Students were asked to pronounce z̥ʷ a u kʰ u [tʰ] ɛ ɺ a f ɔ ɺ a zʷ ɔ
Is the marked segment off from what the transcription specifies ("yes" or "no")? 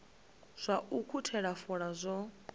no